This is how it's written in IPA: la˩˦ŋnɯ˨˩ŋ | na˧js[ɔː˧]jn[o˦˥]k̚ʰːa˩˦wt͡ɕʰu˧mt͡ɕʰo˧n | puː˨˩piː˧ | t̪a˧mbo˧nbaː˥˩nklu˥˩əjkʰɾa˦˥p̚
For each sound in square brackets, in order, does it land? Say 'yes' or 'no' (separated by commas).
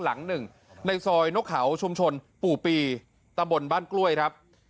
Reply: yes, yes